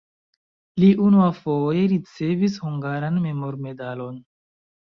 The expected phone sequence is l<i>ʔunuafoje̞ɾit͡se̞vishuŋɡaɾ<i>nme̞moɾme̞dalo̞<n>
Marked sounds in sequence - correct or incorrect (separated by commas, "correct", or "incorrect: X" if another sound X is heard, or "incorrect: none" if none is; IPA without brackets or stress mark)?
correct, incorrect: a, correct